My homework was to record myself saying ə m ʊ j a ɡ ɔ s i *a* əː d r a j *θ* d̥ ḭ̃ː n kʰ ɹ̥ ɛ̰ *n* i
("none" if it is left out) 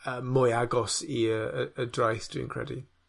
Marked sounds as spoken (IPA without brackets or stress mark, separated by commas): ə, θ, d